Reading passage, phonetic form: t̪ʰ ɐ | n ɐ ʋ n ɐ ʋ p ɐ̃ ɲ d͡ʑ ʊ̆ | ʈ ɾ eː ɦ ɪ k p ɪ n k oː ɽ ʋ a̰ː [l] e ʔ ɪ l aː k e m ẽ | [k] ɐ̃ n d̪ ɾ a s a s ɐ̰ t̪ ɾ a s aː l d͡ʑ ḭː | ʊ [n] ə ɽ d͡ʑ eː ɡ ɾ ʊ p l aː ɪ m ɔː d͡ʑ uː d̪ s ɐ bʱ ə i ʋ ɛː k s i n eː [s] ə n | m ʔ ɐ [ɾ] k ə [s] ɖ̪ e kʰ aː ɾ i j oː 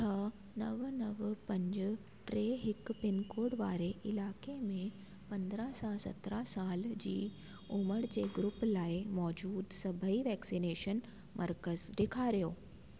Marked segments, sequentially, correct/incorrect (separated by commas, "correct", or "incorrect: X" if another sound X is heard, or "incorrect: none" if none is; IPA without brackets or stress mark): incorrect: ɾ, incorrect: p, incorrect: m, incorrect: ʃ, correct, incorrect: z